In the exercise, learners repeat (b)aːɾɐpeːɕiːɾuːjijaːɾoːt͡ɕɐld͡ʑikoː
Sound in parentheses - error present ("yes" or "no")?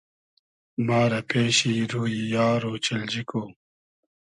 yes